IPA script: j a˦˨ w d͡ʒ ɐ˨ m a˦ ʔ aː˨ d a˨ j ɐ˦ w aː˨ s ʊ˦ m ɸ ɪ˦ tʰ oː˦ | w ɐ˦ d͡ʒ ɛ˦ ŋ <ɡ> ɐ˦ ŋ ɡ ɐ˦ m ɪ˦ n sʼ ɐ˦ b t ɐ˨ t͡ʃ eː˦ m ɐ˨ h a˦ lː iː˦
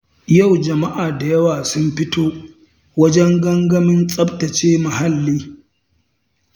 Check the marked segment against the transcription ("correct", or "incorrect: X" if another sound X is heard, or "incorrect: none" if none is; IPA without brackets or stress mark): correct